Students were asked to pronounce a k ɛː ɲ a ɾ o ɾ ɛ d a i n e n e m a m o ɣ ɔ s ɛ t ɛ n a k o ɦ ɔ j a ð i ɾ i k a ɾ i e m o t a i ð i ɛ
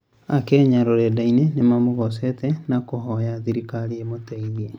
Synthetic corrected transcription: a k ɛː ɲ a ɾ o ɾ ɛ d a i n e n e m a m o ɣ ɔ s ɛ t ɛ n a k o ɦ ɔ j a ð i ɾ i k a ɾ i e m o t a i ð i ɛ